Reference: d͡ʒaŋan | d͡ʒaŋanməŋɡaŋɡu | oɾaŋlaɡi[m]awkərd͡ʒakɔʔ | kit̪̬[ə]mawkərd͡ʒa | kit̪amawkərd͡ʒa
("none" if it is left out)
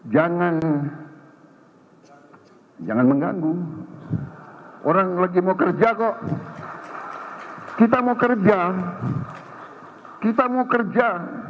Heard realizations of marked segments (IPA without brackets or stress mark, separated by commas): m, a